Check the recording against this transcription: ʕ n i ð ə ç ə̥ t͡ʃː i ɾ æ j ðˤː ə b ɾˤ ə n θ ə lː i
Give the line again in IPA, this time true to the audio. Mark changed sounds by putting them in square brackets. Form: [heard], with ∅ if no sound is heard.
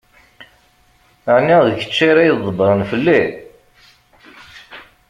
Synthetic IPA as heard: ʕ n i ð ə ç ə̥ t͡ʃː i ɾ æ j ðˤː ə b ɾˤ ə n [f] ə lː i